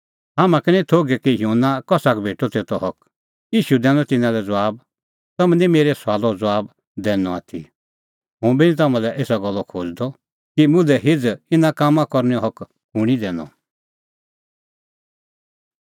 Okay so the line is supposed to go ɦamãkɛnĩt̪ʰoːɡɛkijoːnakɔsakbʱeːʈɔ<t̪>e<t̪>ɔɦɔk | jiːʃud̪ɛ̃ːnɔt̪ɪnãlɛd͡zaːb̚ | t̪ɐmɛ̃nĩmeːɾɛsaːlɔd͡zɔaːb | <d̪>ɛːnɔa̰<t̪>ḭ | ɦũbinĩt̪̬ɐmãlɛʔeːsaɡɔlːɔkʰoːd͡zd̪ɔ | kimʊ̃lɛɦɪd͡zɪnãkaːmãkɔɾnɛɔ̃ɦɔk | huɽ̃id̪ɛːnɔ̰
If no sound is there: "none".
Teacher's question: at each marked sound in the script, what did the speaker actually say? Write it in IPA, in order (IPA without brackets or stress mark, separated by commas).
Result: t̪, t̪, d̪, t̪ʰ